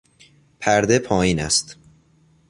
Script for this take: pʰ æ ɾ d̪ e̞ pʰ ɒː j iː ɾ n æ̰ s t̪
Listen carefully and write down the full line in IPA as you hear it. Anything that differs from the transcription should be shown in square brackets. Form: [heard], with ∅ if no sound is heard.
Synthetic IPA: pʰ æ ɾ d̪ e̞ pʰ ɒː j iː [∅] n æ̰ s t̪